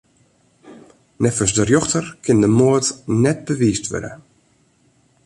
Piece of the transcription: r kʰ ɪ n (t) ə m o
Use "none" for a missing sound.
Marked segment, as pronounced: d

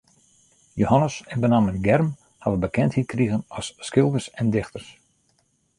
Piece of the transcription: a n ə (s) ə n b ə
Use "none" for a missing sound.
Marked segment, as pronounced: s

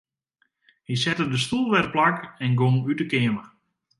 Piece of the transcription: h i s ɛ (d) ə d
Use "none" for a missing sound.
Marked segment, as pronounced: t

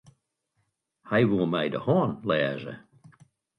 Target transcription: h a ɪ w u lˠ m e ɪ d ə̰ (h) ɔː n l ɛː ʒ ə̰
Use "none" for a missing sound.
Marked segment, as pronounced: h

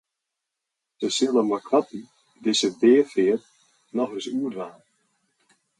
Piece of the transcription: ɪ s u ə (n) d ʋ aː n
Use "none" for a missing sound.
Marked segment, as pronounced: none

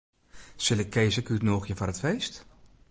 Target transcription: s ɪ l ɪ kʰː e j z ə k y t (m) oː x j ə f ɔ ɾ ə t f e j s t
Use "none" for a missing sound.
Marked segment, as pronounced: n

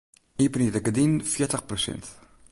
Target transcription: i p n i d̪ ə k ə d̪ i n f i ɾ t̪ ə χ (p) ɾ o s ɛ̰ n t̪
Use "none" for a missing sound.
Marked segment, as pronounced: p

